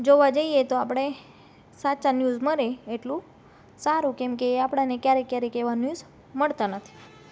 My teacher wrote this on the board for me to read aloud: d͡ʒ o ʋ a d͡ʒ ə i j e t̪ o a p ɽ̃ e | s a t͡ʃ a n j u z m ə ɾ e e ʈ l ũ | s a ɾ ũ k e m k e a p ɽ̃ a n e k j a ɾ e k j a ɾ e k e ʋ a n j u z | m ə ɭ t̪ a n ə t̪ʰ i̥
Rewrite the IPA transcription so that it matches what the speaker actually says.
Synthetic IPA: d͡ʒ o ʋ a d͡ʒ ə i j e t̪ o a p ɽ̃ e | s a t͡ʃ a n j u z m ə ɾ e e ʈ l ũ | s a ɾ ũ k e m k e a p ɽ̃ a n e k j a ɾ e k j a ɾ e k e ʋ a n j u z | m ə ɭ t̪ a n ə t̪ʰ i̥